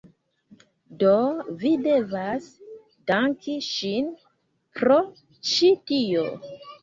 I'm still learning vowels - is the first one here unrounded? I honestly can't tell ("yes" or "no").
no